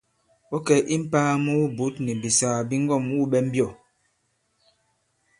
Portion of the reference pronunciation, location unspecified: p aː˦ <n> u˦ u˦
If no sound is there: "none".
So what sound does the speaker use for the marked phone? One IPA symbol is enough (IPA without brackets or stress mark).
m